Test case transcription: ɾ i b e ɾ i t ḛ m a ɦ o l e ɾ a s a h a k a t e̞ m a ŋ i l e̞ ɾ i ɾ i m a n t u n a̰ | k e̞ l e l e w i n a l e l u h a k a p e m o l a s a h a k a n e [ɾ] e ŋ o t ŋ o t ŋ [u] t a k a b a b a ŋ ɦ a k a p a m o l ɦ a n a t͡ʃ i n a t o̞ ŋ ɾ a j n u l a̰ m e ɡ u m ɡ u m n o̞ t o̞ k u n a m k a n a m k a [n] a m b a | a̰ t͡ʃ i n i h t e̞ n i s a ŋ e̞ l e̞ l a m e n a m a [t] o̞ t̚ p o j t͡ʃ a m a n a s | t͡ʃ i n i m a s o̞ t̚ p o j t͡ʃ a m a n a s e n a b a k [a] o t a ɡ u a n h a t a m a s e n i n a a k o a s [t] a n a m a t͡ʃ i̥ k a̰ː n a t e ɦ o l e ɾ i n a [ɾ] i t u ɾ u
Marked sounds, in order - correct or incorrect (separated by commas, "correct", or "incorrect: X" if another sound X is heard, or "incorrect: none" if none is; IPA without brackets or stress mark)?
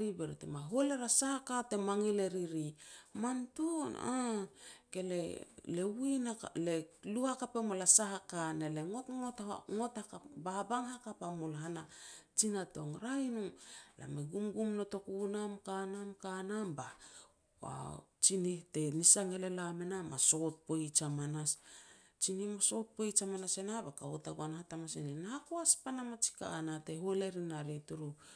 incorrect: l, incorrect: o, correct, incorrect: s, correct, incorrect: p, correct